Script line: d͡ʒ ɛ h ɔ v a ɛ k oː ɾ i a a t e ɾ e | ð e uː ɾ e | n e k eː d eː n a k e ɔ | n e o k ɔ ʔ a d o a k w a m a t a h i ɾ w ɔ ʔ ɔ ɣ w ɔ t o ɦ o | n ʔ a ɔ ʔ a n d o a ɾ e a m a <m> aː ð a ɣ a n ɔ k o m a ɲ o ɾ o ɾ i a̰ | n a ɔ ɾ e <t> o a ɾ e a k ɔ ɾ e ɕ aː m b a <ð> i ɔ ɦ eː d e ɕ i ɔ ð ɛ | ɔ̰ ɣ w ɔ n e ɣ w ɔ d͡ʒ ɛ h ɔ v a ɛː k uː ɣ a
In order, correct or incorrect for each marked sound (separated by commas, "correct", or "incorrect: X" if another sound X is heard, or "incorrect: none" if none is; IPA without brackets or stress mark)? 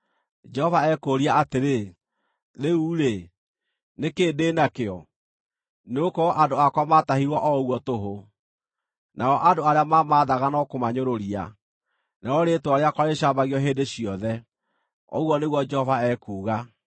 correct, correct, incorrect: ɣ